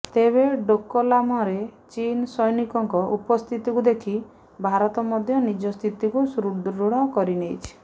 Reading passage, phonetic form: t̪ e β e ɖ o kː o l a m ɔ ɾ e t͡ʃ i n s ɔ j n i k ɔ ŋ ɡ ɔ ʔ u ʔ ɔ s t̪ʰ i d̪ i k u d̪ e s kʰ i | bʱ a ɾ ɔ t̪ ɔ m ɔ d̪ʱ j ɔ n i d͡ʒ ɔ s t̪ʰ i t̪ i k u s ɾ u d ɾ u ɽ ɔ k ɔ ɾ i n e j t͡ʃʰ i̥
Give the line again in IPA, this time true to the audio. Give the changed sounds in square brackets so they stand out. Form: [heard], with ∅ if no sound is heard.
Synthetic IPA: t̪ e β e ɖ o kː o l a m ɔ ɾ e t͡ʃ i n s ɔ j n i k ɔ ŋ [k] ɔ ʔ u [p] ɔ s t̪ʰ i [t̪] i k u d̪ e [∅] kʰ i | bʱ a ɾ ɔ t̪ ɔ m ɔ d̪ʱ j ɔ n i d͡ʒ ɔ s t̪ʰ i t̪ i k u s ɾ u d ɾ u ɽ ɔ k ɔ ɾ i n e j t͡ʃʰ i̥